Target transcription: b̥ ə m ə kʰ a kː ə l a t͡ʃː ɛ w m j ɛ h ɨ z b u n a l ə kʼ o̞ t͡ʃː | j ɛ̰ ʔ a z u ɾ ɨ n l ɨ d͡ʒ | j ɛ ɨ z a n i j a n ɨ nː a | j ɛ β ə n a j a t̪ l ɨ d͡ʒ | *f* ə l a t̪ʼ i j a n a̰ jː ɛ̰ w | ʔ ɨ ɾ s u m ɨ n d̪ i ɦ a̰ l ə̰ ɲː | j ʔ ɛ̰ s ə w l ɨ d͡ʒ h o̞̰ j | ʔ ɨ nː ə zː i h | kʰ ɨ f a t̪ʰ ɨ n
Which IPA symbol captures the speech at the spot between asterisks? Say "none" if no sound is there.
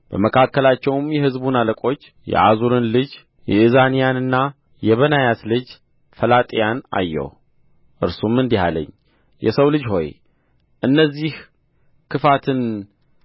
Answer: f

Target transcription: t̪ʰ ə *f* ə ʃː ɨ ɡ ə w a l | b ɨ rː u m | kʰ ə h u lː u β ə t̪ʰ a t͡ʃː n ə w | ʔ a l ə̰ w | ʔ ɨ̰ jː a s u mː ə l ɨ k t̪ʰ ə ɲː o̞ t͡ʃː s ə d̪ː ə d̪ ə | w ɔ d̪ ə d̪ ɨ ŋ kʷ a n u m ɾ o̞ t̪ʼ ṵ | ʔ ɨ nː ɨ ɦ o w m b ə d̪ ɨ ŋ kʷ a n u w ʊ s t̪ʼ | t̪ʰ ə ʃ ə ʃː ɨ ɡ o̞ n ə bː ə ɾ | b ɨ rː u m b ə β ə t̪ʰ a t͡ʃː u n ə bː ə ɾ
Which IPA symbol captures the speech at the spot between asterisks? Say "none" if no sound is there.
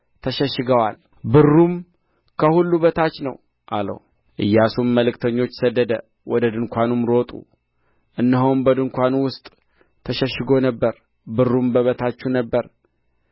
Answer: ʃ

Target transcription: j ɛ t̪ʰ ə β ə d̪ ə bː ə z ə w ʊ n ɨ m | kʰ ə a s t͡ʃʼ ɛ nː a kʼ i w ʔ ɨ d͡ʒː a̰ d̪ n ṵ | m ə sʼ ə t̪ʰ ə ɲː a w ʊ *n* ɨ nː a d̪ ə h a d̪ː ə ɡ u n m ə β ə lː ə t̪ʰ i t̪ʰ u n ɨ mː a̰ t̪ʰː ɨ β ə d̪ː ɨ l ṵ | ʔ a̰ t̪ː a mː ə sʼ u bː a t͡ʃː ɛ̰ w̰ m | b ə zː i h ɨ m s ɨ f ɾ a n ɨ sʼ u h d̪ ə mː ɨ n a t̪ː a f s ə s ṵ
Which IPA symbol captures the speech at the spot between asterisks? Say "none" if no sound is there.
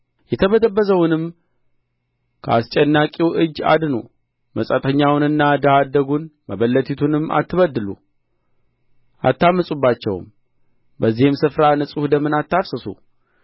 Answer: n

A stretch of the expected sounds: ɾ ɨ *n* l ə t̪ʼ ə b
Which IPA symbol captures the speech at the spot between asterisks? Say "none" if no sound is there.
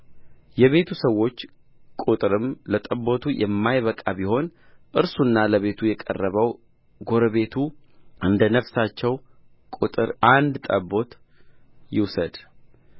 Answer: m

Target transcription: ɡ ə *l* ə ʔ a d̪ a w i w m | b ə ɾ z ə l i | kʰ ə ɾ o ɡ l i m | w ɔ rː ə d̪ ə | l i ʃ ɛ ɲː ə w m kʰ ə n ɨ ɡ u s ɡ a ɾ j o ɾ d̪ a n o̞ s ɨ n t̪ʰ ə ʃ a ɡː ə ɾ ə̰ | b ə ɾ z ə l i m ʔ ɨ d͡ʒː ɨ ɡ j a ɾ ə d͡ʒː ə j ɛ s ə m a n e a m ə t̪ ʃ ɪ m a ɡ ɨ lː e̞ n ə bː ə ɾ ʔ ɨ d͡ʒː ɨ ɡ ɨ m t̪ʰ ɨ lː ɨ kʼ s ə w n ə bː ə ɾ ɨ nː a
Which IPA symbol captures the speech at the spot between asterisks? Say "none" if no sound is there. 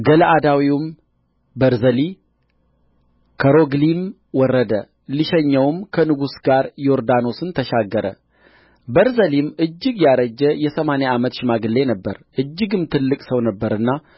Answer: l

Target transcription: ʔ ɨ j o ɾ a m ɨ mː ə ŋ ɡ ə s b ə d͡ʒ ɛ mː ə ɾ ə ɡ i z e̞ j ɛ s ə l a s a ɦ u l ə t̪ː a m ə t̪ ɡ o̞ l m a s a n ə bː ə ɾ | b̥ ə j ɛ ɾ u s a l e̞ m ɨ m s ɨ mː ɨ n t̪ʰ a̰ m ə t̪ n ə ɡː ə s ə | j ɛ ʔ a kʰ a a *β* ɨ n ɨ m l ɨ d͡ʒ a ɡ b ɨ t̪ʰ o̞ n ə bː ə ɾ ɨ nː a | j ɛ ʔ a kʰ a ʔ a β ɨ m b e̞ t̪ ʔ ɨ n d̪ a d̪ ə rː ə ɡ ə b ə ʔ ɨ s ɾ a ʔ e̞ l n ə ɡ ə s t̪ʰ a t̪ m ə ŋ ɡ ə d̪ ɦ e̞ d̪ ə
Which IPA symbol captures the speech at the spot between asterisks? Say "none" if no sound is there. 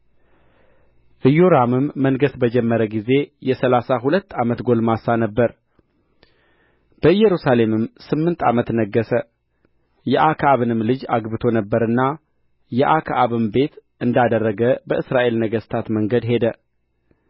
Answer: β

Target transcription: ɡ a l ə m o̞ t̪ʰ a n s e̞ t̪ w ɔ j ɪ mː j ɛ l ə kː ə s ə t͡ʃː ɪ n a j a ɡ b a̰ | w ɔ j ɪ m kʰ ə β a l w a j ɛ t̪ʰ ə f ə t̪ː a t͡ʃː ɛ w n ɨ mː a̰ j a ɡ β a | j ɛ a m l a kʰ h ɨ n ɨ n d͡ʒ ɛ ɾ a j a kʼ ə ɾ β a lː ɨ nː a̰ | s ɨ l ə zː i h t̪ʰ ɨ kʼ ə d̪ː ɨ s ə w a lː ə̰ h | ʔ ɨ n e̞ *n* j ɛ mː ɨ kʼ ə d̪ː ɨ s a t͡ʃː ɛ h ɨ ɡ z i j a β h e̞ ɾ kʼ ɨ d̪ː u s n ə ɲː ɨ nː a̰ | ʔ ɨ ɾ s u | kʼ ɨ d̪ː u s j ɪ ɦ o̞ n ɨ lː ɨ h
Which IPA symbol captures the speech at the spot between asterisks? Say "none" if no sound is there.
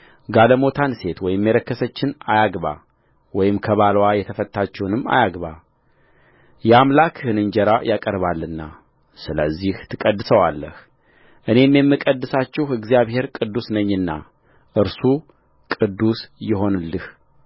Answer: m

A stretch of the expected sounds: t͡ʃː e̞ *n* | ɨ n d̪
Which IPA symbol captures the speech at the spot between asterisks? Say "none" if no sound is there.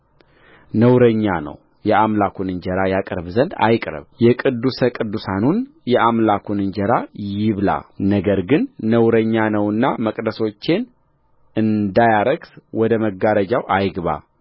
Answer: n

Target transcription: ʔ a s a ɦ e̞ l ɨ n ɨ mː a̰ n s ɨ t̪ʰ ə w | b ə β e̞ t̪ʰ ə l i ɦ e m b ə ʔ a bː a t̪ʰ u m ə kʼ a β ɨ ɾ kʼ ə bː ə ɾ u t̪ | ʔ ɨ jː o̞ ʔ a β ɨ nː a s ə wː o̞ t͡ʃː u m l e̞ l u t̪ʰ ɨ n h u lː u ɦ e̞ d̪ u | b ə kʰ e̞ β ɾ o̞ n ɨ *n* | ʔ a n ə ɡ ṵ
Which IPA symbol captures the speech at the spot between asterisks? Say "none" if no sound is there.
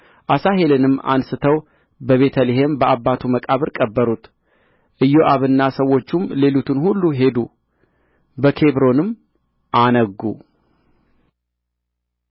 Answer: m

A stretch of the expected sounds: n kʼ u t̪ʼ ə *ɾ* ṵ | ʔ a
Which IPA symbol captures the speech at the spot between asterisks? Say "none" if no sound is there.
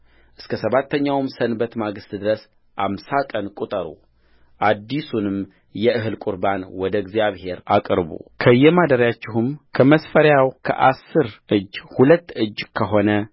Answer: ɾ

